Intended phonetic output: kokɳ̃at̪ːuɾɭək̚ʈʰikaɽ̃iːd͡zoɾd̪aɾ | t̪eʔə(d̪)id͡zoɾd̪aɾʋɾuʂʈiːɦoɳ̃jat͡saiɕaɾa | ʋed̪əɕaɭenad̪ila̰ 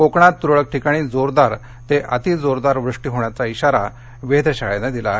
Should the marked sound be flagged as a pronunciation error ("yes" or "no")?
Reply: yes